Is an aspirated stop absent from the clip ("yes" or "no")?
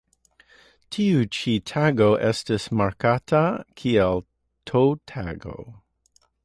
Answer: no